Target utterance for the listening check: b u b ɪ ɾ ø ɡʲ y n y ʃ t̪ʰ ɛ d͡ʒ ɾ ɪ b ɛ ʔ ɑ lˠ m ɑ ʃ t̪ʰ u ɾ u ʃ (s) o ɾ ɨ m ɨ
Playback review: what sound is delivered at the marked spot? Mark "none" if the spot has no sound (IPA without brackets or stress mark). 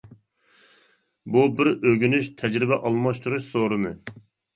s